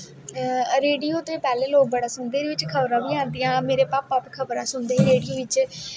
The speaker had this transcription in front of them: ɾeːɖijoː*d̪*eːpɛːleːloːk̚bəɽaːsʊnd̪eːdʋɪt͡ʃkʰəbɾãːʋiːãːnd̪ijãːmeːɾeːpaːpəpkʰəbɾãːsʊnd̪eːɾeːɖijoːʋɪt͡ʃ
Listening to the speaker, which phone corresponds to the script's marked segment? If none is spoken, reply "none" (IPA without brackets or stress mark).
t̪